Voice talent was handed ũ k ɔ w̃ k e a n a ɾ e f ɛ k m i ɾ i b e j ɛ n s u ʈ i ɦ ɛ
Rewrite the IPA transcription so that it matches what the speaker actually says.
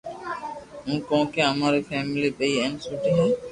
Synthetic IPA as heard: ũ k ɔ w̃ k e a m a ɾ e f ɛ m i l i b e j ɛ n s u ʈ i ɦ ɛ